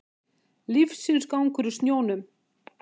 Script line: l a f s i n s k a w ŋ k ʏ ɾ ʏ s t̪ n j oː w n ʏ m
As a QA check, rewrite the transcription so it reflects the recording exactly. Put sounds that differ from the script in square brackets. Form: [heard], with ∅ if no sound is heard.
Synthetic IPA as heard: l [i] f s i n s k a w ŋ k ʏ ɾ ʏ s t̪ n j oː w n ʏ m